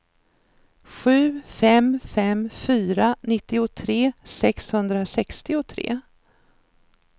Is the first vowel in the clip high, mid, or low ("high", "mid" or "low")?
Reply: high